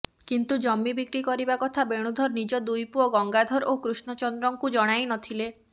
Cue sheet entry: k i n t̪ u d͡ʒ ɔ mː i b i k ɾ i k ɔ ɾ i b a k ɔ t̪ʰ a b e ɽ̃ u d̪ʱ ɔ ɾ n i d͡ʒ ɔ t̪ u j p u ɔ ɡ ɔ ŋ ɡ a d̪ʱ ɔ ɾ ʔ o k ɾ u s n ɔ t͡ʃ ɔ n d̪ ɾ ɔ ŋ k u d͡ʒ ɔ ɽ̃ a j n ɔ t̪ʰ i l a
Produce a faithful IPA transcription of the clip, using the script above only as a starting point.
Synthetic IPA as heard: k i n t̪ u d͡ʒ ɔ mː i b i k ɾ i k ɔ ɾ i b a k ɔ t̪ʰ a b e ɽ̃ u d̪ʱ ɔ ɾ n i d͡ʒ ɔ d̪ u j p u ɔ ɡ ɔ ŋ ɡ a d̪ʱ ɔ ɾ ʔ o k ɾ u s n ɔ t͡ʃ ɔ n d̪ ɾ ɔ ŋ k u d͡ʒ ɔ ɽ̃ a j n ɔ t̪ʰ i l e